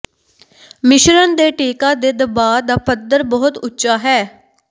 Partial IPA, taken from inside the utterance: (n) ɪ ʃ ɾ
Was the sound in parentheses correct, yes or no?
no